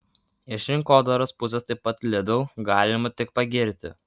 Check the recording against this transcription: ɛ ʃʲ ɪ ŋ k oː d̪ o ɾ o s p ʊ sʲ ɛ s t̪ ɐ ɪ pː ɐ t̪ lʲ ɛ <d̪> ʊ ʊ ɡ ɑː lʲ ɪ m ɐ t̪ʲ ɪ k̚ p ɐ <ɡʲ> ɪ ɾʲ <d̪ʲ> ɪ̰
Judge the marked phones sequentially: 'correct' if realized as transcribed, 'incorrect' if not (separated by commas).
correct, correct, incorrect